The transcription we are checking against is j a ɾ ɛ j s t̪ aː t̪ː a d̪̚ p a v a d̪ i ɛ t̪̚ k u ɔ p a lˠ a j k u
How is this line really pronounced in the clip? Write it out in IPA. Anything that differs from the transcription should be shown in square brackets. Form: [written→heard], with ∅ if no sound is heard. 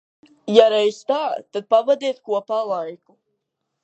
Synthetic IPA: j a ɾ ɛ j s t̪ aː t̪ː a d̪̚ p a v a d̪ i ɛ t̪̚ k u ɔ p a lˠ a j k u

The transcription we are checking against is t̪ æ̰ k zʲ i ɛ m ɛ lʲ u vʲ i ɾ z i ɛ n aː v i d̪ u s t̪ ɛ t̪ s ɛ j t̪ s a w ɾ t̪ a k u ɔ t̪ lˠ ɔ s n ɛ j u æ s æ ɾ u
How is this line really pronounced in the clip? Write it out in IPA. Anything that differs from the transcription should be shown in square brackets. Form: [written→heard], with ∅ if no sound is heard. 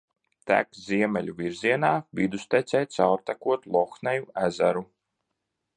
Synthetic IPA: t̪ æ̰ k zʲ i ɛ m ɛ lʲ u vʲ i ɾ z i ɛ n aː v i d̪ u s t̪ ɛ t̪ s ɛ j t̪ s a w ɾ t̪ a k u ɔ t̪ lˠ ɔ [s→x] n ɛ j u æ [s→z] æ ɾ u

